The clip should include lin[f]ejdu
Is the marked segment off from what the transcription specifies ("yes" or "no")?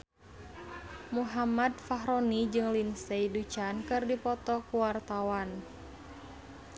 yes